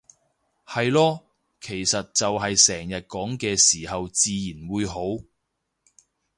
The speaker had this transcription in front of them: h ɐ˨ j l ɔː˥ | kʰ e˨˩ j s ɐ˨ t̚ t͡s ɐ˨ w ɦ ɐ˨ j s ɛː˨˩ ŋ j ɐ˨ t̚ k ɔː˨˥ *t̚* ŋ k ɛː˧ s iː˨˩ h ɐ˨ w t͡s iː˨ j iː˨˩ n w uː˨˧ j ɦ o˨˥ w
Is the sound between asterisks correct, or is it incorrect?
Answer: incorrect